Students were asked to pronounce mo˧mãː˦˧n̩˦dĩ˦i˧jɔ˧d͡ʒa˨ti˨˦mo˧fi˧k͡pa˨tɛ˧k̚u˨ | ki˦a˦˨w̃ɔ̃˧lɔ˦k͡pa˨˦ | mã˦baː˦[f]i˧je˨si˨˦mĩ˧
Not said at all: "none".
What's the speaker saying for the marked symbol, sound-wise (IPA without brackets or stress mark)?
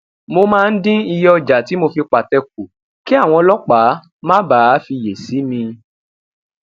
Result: f